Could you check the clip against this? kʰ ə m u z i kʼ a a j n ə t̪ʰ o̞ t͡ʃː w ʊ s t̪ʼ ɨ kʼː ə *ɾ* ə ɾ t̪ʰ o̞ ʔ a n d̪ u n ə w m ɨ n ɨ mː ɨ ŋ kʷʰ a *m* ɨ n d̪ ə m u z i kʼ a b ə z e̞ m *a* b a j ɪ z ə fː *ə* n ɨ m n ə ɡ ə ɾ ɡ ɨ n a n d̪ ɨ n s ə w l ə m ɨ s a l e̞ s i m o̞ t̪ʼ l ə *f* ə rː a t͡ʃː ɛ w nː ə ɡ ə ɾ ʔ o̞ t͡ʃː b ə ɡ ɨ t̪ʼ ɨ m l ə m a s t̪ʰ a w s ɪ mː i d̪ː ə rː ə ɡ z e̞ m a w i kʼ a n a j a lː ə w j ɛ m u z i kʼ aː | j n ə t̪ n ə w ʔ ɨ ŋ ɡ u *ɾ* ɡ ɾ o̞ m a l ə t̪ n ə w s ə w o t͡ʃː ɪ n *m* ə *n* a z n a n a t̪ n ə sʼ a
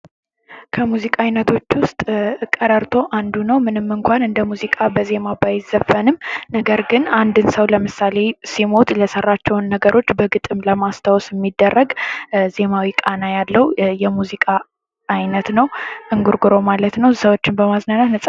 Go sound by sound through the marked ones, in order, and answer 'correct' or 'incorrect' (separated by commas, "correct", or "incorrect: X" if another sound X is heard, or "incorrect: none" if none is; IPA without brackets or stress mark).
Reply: correct, incorrect: n, correct, correct, incorrect: s, correct, incorrect: b, incorrect: m